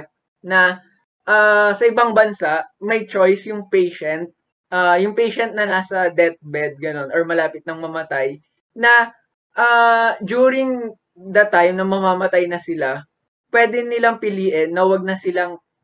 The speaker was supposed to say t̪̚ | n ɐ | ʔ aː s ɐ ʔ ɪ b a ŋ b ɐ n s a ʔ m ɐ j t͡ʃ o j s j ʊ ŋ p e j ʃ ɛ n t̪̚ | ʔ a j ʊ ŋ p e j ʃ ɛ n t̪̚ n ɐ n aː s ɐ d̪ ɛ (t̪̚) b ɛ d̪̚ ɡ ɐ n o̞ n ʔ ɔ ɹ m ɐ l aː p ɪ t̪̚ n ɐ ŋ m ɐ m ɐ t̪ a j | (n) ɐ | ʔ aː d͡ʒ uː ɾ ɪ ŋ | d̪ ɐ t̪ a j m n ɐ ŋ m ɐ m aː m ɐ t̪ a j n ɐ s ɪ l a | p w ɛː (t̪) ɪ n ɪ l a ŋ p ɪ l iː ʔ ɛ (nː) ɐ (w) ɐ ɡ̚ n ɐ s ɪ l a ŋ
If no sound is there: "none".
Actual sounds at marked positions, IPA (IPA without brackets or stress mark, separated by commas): t̪̚, n, d̪, nː, w